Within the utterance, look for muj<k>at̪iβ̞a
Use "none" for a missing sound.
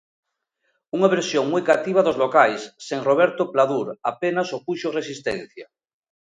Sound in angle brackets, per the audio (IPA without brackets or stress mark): k